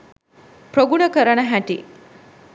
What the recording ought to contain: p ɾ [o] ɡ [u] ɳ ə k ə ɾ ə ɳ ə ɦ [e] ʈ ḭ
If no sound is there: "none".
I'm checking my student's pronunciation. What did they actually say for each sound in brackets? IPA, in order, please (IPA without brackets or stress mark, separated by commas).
o, u, æ